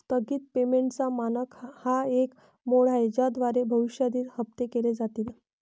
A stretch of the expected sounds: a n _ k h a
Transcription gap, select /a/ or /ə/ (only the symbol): ə